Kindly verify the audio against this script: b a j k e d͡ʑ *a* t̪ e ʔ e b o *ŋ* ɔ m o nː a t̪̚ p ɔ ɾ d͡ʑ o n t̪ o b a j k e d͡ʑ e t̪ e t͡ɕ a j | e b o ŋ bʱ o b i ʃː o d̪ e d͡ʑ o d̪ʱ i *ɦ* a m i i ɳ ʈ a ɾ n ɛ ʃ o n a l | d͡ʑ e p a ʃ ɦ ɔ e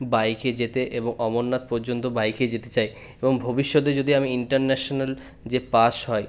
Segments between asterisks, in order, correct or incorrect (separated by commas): incorrect, correct, incorrect